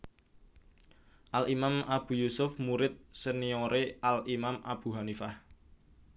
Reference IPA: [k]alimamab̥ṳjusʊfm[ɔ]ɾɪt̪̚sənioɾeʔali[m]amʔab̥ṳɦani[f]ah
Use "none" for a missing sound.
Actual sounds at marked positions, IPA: ʔ, u, m, f

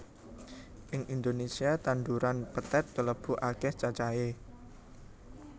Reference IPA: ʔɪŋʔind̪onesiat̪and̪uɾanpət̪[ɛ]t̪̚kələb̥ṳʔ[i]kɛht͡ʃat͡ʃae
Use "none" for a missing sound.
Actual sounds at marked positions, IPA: ɛ, a

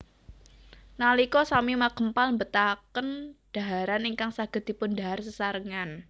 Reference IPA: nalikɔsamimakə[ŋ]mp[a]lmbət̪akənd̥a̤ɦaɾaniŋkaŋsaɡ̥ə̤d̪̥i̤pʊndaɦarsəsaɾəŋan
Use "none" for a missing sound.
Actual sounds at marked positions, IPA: none, a

